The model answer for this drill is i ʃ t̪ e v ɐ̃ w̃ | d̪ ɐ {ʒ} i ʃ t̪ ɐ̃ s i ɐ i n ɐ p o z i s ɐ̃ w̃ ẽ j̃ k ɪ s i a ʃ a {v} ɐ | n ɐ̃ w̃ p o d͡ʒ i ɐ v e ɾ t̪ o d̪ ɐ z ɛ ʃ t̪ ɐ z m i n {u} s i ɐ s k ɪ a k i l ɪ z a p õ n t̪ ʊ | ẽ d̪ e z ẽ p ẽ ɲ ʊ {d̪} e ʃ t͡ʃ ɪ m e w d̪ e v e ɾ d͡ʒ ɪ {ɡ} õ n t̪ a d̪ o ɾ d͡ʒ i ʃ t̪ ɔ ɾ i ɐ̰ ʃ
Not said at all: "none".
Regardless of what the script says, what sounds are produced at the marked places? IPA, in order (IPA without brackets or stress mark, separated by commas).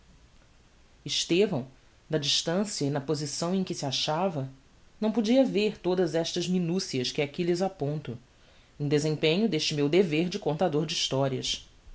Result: d͡ʒ, v, u, d̪, k